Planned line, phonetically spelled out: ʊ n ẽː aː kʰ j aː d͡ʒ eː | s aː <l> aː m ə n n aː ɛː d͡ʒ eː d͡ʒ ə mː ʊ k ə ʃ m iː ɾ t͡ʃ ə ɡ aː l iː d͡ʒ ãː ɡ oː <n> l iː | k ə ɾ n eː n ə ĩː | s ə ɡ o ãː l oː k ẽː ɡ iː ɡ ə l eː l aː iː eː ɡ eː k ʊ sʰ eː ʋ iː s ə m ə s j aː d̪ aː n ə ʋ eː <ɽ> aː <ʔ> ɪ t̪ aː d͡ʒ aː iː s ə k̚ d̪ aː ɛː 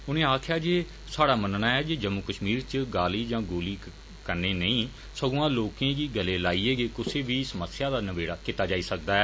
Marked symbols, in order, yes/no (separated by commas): no, no, yes, no